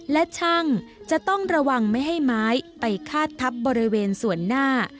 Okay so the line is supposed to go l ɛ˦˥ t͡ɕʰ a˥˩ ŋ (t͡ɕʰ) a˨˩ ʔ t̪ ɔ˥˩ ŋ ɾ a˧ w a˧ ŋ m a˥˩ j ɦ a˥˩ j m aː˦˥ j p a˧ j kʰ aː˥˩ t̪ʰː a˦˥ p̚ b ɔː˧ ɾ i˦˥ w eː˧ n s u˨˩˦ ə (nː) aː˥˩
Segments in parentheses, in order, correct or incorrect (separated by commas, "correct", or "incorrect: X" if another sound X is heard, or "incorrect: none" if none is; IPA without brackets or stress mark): incorrect: t͡ɕ, correct